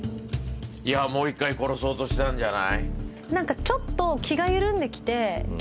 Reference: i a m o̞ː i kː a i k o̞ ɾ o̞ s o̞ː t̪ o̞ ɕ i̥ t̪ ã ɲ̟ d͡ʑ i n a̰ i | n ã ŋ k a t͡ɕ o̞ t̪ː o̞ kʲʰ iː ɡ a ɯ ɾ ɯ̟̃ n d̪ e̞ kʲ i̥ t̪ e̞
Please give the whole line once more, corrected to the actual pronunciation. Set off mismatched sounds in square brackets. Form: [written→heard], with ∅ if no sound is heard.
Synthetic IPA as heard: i a m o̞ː i kː a i k o̞ ɾ o̞ s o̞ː t̪ o̞ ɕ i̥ t̪ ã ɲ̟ d͡ʑ [i→a] n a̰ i | n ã ŋ k a t͡ɕ o̞ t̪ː o̞ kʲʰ [iː→i] ɡ a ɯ ɾ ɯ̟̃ n d̪ e̞ kʲ i̥ t̪ e̞